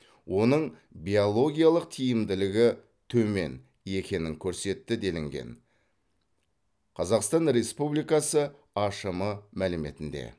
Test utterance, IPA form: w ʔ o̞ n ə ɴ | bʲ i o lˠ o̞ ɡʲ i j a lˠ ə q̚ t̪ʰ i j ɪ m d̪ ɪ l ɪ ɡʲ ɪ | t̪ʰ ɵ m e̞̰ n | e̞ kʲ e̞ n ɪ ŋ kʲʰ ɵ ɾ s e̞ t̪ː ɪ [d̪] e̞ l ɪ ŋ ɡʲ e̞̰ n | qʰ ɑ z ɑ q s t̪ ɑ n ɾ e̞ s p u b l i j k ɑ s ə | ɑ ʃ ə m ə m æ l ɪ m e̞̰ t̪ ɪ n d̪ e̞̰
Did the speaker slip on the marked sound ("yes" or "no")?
no